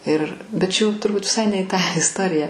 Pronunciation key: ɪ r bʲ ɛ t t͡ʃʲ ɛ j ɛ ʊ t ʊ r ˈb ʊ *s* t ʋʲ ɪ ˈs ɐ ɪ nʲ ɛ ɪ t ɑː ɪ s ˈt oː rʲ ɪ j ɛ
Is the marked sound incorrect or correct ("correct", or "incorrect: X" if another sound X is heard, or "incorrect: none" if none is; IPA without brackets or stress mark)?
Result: incorrect: none